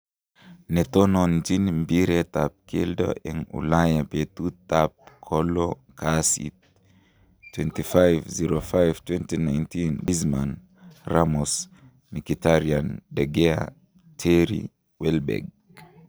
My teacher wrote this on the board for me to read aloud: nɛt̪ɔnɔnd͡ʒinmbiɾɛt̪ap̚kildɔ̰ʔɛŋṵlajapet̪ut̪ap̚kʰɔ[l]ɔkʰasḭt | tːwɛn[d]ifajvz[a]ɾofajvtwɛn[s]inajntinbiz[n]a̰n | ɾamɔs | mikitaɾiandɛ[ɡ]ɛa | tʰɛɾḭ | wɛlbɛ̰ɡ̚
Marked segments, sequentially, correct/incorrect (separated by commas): correct, incorrect, incorrect, incorrect, incorrect, correct